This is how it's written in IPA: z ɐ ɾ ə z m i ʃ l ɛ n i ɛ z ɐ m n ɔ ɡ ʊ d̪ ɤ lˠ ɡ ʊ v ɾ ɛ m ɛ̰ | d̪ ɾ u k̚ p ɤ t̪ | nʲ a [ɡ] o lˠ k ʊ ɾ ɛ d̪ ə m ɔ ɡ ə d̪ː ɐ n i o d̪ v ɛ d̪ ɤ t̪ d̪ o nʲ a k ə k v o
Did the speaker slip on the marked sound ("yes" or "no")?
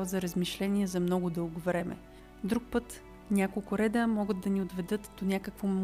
yes